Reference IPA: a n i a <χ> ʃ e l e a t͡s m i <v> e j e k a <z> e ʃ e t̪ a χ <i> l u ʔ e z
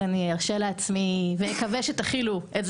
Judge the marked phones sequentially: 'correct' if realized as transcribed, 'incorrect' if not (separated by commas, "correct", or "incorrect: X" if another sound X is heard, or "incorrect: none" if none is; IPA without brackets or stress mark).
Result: incorrect: ʁ, correct, incorrect: v, correct